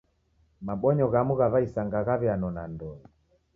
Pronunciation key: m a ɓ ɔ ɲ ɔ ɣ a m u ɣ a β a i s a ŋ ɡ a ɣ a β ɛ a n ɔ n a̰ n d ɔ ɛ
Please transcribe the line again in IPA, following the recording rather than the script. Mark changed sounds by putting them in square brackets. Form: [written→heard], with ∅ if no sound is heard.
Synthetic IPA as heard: m a ɓ ɔ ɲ ɔ ɣ a m u ɣ a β a i s a ŋ ɡ a ɣ a β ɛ a n ɔ n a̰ n d ɔ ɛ

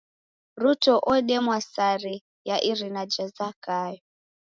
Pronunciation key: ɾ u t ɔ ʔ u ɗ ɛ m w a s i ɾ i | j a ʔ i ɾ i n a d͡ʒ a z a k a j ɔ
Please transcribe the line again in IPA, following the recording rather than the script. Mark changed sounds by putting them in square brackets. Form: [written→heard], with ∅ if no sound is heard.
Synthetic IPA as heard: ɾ u t ɔ ʔ [u→ɔ] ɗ ɛ m w a s [i→a] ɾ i | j a ʔ i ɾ i n a d͡ʒ a z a k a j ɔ

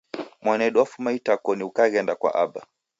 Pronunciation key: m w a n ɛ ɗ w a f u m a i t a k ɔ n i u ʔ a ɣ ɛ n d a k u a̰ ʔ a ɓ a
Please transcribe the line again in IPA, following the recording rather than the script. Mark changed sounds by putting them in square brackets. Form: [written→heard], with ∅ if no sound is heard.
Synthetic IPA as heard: m w a n ɛ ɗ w a f u m a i t a k ɔ n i u [ʔ→k] a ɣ ɛ n d a k [u→w] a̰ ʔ a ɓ a

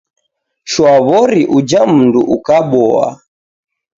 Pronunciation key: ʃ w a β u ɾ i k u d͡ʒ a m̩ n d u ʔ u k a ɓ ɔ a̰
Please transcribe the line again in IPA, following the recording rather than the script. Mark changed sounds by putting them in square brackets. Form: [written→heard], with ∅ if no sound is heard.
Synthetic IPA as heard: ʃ w a β [u→ɔ] ɾ i [k→ʔ] u d͡ʒ a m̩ n d u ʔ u k a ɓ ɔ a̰

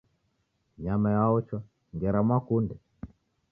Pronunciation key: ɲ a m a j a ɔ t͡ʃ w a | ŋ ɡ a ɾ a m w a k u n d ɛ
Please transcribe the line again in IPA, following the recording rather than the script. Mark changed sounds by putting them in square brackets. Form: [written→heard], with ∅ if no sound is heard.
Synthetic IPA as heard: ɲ a m a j a ɔ t͡ʃ w a | ŋ ɡ [a→ɛ] ɾ a m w a k u n d ɛ

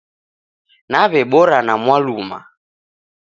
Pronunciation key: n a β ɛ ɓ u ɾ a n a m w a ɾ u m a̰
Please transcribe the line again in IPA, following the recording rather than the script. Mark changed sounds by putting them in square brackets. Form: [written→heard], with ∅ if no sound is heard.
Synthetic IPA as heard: n a β ɛ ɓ [u→ɔ] ɾ a n a m w a [ɾ→l] u m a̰

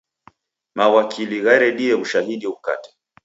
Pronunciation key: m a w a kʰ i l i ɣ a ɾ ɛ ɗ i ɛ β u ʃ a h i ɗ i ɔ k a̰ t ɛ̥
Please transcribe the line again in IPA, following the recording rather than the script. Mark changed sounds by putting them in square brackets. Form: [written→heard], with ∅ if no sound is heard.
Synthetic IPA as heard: m a w a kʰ i l i ɣ a ɾ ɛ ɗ i ɛ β u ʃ a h i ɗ i [ɔ→u] k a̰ t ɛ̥

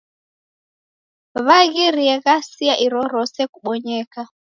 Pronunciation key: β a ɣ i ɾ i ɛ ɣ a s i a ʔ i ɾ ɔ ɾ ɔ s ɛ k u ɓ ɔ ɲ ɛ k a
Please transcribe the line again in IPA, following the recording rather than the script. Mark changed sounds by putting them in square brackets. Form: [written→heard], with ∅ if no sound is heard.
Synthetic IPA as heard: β a ɣ i ɾ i ɛ ɣ a s i a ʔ i ɾ ɔ ɾ ɔ s ɛ k u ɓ ɔ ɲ ɛ k a

